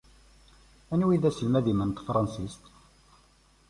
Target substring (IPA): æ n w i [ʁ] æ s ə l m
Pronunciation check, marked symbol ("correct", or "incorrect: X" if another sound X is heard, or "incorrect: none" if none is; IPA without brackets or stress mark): incorrect: ð